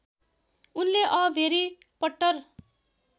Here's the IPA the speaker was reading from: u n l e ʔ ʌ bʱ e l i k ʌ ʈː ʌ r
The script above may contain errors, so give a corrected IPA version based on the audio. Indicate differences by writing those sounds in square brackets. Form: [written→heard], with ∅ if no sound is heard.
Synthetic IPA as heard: u n l e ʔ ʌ bʱ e [l→ɾ] i [k→p] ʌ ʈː ʌ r